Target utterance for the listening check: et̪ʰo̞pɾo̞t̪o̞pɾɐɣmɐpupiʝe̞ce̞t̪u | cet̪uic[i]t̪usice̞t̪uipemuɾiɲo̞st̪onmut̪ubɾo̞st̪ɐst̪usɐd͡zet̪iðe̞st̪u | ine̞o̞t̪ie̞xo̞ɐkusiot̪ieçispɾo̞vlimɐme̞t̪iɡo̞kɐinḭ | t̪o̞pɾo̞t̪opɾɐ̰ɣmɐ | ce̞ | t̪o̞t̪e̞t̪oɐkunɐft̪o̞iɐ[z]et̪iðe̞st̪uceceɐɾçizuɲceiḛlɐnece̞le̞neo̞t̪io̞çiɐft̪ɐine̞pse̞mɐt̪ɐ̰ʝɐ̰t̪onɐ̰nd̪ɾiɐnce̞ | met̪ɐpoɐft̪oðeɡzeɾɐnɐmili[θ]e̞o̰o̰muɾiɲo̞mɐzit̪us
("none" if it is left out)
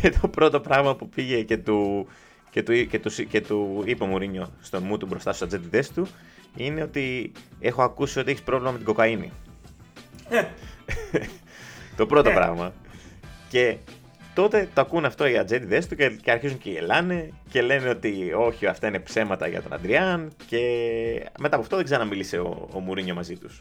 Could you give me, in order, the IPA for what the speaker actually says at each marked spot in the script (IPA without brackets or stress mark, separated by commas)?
e, d͡z, s